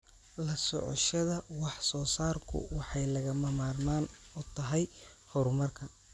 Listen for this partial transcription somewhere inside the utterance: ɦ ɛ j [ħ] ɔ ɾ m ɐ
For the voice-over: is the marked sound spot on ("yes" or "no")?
no